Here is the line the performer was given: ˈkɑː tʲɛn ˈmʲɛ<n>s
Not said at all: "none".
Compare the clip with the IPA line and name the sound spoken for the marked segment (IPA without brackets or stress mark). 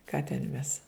none